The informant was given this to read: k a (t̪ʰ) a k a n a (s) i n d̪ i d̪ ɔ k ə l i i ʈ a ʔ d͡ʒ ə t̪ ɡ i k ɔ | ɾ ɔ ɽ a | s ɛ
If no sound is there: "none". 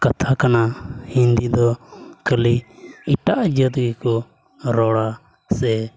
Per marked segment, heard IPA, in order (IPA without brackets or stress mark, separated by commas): t̪ʰ, h